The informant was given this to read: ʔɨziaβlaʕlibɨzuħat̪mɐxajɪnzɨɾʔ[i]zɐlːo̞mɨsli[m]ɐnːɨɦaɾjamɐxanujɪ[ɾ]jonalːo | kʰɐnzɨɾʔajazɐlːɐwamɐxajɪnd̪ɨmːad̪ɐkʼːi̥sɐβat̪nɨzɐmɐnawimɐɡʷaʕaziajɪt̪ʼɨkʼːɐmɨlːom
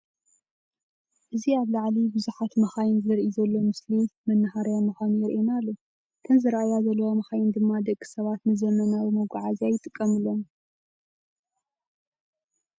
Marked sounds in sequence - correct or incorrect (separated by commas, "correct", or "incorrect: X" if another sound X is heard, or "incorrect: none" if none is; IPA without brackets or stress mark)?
correct, correct, correct